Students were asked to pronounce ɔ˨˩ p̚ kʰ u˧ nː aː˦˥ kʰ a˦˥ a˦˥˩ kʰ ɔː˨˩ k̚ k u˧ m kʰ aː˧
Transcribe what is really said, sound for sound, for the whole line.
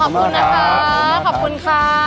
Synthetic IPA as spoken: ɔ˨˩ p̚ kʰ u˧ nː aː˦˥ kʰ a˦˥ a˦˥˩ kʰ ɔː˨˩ p̚ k u˧ n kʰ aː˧